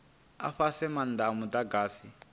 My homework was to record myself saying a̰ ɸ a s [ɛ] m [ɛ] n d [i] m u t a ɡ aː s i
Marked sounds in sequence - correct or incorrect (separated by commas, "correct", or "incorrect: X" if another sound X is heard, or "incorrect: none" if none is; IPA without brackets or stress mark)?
correct, incorrect: a, incorrect: a